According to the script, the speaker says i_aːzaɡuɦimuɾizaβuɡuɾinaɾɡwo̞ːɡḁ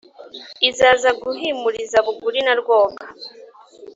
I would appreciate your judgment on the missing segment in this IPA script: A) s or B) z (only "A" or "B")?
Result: B